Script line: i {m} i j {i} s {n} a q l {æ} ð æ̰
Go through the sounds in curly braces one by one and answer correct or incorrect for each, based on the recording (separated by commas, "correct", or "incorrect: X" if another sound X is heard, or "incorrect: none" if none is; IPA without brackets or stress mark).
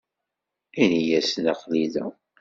incorrect: n, incorrect: æ, correct, incorrect: i